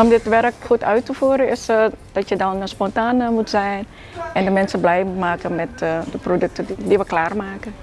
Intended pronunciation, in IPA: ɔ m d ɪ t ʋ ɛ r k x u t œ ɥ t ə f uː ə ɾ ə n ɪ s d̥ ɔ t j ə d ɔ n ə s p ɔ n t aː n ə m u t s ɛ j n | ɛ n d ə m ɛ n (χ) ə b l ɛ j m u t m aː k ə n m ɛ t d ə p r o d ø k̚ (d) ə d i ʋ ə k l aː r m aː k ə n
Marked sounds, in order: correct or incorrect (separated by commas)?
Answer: incorrect, incorrect